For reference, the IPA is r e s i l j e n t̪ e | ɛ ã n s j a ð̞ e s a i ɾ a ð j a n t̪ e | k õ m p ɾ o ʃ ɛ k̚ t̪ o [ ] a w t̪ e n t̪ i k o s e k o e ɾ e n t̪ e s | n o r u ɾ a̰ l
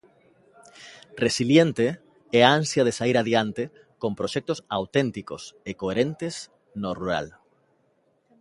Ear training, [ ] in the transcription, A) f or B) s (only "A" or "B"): B